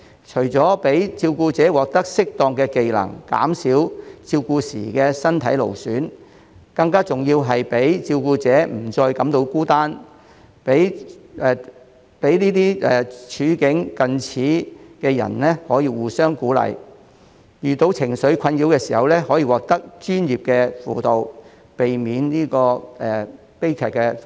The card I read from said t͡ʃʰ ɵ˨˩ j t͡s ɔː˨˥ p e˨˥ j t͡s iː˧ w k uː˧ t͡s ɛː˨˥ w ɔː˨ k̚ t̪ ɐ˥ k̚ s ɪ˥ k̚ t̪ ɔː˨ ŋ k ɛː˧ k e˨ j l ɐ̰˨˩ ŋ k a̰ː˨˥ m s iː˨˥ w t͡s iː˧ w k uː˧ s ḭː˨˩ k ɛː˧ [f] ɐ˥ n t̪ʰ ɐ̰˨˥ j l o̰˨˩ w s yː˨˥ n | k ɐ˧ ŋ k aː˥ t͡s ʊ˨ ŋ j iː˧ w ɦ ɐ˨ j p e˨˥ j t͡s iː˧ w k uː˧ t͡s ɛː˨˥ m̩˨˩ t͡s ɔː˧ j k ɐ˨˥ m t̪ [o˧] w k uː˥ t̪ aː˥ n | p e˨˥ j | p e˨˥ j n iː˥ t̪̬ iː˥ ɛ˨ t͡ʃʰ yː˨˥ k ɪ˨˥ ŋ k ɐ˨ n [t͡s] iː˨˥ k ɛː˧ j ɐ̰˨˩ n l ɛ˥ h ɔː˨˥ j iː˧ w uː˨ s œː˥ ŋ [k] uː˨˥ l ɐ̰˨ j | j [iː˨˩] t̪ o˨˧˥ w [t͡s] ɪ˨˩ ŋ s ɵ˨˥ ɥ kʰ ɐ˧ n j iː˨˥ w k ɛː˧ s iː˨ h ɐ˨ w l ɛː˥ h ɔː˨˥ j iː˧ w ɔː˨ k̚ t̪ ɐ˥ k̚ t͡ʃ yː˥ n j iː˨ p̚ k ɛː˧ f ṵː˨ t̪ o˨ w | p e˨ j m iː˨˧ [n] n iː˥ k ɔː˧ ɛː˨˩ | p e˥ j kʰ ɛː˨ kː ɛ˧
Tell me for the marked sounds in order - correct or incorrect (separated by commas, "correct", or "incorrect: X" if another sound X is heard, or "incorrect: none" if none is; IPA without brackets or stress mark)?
incorrect: s, correct, incorrect: t͡sʰ, correct, incorrect: yː˨˩, incorrect: t͡sʰ, correct